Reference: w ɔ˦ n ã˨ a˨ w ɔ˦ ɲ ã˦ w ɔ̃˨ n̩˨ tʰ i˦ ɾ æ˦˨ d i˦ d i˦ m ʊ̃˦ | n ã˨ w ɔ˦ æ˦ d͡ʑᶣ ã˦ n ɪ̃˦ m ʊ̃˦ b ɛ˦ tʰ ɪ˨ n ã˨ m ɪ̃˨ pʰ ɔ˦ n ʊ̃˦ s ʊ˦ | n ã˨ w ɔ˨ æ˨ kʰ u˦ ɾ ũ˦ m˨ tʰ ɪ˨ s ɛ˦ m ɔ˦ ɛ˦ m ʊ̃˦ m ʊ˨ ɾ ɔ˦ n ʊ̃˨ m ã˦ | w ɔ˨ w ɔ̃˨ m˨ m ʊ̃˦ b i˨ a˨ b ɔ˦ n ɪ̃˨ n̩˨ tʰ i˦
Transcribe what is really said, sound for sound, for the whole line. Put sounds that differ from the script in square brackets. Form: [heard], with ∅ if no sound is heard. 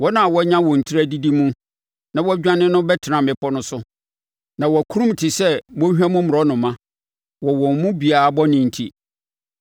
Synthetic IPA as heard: w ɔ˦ n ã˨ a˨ w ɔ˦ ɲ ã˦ w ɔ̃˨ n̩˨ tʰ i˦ ɾ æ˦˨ d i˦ d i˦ m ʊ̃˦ | n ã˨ w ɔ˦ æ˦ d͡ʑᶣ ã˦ n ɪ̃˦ [n] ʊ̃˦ b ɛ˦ tʰ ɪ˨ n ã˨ m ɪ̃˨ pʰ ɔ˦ n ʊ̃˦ s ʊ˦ | n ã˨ w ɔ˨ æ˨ kʰ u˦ ɾ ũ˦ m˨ tʰ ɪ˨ s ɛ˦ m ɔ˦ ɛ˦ m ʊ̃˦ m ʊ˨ ɾ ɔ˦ n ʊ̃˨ m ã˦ | w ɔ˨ w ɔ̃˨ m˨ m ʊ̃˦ b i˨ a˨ b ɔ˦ n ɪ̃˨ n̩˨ tʰ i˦